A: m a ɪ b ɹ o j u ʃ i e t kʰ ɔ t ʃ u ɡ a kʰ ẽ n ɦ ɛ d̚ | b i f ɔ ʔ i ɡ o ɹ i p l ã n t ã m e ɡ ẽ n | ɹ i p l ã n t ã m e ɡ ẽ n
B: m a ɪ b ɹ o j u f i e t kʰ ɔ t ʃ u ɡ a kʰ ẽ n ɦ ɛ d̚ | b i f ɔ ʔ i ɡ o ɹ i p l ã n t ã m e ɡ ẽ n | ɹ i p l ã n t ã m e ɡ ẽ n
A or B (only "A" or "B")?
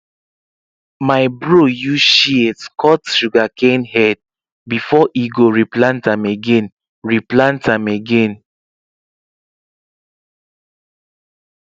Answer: A